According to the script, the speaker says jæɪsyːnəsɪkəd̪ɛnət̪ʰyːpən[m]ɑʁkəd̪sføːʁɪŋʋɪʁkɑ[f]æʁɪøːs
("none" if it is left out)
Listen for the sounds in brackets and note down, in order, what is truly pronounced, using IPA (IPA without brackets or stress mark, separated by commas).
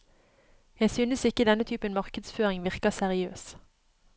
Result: m, s